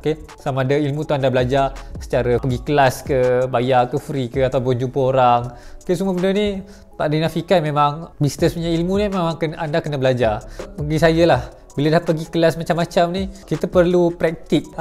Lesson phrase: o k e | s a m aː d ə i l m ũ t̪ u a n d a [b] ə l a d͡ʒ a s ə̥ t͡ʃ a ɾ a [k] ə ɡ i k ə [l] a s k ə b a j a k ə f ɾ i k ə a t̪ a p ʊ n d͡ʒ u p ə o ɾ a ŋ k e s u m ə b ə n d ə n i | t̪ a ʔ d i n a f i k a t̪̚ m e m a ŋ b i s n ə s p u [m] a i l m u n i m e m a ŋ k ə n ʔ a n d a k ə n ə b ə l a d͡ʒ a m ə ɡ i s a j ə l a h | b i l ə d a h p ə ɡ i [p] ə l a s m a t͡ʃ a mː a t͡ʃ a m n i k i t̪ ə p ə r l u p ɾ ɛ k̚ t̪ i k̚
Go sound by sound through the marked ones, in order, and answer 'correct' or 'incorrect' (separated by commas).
correct, incorrect, correct, incorrect, incorrect